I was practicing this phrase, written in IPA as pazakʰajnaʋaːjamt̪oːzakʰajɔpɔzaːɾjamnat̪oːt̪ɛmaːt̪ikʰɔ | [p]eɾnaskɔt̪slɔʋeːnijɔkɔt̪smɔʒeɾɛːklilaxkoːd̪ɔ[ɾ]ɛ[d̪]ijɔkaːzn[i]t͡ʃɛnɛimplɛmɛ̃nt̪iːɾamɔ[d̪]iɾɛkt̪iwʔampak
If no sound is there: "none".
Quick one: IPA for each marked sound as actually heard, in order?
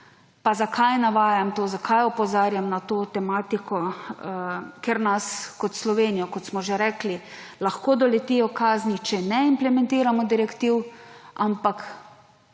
k, l, t̪, i, d̪

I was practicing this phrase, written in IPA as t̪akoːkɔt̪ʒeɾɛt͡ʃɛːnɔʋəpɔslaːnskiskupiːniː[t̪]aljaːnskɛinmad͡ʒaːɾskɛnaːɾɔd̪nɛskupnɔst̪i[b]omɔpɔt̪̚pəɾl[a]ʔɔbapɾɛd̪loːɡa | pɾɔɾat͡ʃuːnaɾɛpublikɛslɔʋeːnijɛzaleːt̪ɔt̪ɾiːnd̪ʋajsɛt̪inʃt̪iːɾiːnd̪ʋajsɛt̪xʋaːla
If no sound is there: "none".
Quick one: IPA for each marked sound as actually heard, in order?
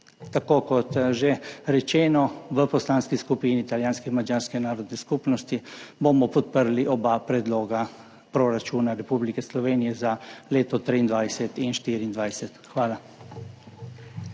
t̪, b, i

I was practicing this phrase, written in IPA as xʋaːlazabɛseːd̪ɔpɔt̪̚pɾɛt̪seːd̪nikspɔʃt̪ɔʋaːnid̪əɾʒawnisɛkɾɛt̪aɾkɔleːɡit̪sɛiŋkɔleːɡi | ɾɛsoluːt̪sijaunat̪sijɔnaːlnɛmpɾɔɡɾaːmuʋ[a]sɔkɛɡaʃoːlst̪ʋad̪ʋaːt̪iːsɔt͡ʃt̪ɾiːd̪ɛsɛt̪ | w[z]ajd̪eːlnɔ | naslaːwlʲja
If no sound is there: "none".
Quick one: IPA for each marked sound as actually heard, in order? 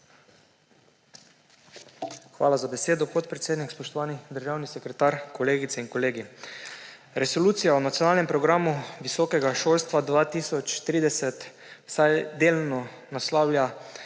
i, s

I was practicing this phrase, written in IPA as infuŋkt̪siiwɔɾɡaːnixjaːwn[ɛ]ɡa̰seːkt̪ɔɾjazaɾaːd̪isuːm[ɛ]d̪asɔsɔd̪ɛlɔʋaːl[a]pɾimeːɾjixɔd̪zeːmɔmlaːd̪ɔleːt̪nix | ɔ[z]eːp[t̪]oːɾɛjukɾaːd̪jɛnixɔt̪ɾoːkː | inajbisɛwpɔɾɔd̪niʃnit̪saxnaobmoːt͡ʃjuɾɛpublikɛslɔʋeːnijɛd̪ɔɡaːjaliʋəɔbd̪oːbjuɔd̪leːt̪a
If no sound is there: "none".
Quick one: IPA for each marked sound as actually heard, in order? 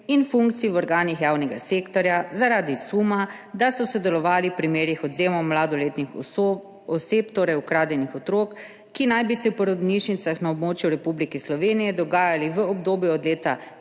ɛ, a, i, s, t̪

